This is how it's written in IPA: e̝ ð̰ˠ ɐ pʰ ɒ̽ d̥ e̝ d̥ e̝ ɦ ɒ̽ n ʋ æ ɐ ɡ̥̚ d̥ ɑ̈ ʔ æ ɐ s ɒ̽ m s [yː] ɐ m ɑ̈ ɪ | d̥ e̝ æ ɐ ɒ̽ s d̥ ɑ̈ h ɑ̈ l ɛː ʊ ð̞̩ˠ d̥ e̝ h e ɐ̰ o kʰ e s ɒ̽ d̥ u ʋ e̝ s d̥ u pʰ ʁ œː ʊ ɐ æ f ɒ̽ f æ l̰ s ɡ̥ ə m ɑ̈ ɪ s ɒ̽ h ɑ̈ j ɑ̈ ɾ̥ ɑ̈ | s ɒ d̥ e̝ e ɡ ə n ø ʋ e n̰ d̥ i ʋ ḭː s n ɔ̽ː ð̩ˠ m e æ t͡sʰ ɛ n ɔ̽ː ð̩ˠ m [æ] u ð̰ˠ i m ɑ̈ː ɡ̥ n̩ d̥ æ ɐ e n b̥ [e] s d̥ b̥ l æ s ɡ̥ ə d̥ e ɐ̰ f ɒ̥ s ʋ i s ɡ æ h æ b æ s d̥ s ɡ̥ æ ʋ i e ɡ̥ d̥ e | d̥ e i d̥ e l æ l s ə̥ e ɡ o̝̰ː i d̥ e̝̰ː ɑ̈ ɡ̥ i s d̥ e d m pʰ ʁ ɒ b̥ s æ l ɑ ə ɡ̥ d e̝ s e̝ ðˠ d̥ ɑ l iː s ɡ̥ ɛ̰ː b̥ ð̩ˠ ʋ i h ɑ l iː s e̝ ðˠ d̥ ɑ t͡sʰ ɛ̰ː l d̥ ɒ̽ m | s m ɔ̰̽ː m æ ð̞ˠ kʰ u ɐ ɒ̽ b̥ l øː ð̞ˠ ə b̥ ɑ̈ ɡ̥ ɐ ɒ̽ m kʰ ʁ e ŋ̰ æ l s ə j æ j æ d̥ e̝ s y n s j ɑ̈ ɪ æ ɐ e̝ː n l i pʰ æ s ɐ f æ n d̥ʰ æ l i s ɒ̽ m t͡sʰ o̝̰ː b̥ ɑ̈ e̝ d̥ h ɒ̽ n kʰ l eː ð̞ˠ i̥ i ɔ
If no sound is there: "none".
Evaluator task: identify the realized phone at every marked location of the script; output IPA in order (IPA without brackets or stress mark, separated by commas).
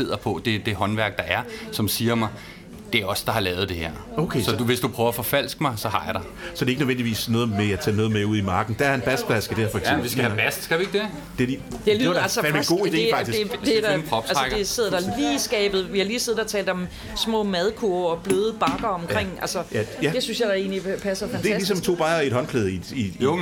iː, e, æ